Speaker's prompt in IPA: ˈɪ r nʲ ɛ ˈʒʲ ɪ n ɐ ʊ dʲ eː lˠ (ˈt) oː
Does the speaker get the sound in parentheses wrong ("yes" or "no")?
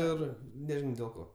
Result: yes